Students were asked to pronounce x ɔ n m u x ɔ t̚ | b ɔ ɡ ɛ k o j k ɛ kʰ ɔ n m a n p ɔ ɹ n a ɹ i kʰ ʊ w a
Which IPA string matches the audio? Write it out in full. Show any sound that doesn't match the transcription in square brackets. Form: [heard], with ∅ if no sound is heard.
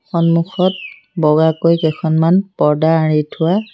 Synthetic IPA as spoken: x ɔ n m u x ɔ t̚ | b ɔ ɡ [a] k o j k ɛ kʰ ɔ n m a n p ɔ ɹ [d] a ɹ i [tʰ] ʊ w a